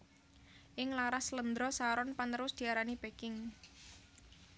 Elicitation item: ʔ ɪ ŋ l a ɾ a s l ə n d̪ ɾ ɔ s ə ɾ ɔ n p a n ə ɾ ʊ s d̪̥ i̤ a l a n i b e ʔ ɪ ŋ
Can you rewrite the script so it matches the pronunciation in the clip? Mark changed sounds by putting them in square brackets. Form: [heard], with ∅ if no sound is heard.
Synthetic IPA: ʔ ɪ ŋ l a ɾ a s l ə n d̪ ɾ ɔ s [a] ɾ ɔ n p a n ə ɾ ʊ s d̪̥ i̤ a [ɾ] a n i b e [k] ɪ ŋ

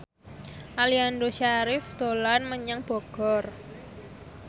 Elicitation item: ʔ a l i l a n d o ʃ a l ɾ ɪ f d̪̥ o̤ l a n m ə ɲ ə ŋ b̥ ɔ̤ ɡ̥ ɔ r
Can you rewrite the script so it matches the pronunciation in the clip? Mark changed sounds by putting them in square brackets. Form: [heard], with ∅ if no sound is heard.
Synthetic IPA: ʔ a l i [∅] a n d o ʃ a [∅] ɾ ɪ f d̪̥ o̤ l a n m ə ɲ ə ŋ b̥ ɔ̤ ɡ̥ ɔ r

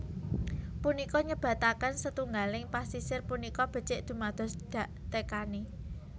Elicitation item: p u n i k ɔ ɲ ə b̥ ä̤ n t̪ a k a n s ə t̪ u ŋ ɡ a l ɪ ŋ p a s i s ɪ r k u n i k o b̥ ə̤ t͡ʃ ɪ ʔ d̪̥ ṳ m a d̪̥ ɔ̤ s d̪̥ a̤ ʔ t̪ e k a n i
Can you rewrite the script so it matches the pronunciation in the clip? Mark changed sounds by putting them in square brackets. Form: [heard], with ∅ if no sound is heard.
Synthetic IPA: p u n i k ɔ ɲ ə b̥ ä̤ [∅] t̪ a k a n s ə t̪ u ŋ ɡ a l ɪ ŋ p a s i s ɪ r [p] u n i k [ɔ] b̥ ə̤ t͡ʃ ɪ ʔ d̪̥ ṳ m a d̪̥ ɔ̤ s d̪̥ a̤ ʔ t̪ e k a n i

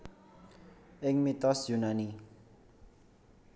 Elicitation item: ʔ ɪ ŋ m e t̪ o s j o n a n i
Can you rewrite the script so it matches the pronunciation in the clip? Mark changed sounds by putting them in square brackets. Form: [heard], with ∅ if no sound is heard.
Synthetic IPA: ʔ ɪ ŋ m [i] t̪ [ɔ] s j [u] n a n i

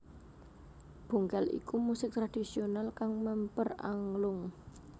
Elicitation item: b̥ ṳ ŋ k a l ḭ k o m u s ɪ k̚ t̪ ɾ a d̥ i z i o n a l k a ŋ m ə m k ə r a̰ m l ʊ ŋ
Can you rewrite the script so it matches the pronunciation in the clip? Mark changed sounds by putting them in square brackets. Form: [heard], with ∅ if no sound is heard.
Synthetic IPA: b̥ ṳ ŋ k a l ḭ k [u] m u s ɪ k̚ t̪ ɾ a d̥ i [s] i o n a l k a ŋ m ə m [p] ə r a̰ [ŋ] l ʊ ŋ

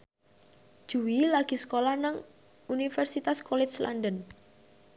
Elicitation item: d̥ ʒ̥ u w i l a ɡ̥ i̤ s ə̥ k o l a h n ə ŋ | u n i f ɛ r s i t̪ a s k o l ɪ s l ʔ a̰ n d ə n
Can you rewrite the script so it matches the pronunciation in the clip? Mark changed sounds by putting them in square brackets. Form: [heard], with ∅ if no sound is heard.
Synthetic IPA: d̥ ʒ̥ u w i l a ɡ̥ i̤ s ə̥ k o l a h n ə ŋ | u n i f ɛ r s i t̪ a s k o l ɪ s l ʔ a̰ n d ə n

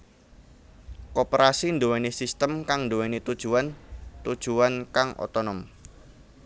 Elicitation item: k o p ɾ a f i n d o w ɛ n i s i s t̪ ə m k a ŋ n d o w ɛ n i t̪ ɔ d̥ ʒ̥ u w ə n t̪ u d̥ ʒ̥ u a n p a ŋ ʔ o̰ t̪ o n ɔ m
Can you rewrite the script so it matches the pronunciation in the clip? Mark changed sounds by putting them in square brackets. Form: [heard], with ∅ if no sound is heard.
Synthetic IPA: k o p ɾ a [s] i n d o w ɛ n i s i s t̪ ə m k a ŋ n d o w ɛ n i t̪ [u] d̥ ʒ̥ u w [a] n t̪ u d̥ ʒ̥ u a n [k] a ŋ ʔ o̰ t̪ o n ɔ m

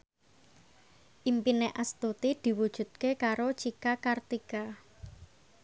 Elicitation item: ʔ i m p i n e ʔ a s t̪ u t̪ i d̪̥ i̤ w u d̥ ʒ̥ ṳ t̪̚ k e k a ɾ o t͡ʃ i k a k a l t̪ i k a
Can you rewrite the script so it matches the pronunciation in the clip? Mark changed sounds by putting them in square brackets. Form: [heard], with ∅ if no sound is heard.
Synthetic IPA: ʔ i m p i n e ʔ a s t̪ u t̪ i d̪̥ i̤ w u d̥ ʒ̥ ṳ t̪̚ k e k a ɾ o t͡ʃ i k a k a [r] t̪ i k a

